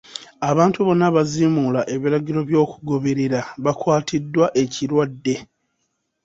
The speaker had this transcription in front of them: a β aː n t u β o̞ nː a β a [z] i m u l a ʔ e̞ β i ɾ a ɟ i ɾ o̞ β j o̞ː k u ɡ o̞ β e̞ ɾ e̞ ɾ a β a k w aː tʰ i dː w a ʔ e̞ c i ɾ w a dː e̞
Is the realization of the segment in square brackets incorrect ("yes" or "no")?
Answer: no